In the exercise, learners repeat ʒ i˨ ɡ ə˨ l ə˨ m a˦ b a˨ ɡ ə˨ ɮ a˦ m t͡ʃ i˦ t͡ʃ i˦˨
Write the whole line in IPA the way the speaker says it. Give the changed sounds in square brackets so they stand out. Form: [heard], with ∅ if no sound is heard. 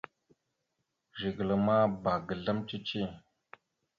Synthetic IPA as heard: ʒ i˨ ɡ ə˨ l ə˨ m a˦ b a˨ ɡ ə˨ ɮ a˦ m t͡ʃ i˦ t͡ʃ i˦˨